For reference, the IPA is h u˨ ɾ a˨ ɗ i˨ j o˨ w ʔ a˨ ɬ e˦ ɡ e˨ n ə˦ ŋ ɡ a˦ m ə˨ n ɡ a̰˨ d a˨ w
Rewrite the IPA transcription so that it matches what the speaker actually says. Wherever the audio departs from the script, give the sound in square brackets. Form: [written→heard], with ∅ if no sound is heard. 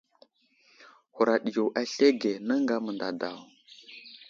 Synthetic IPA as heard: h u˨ ɾ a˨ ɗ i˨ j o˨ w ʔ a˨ ɬ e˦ ɡ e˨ n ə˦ ŋ ɡ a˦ m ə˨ n [ɡ→d] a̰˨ d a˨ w